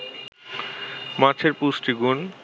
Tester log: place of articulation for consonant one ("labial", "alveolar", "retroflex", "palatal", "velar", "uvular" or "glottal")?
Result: labial